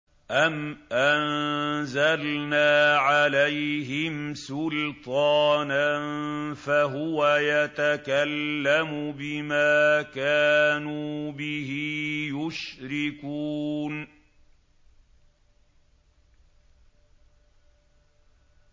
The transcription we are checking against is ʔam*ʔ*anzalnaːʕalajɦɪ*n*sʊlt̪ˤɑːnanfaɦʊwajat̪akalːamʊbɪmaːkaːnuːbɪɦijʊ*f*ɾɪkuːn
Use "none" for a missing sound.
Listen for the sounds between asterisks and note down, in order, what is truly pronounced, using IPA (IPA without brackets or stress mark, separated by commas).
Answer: ʔ, m, ʃ